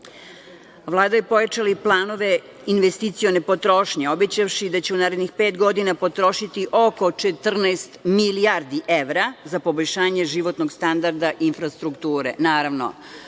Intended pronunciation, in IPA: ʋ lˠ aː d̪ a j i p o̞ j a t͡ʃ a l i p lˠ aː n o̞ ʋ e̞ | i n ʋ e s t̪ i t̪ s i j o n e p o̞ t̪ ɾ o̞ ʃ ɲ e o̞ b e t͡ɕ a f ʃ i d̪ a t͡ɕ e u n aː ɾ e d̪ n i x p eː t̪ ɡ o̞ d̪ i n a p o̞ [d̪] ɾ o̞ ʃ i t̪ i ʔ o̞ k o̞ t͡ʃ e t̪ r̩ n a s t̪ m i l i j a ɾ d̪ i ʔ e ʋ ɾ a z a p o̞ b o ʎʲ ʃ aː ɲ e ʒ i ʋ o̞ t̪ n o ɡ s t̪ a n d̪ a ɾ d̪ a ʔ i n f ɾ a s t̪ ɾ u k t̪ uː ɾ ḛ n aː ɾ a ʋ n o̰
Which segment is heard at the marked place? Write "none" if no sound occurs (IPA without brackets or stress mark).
t̪